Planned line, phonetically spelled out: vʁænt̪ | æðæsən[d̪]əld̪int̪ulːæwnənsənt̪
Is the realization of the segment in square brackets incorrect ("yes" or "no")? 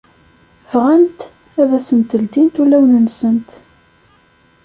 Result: yes